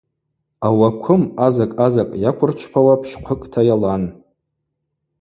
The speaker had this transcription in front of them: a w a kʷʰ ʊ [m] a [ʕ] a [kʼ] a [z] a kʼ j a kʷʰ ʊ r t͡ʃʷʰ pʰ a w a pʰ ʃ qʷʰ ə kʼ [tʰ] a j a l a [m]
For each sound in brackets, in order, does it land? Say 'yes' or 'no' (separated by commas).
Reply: yes, no, yes, yes, yes, no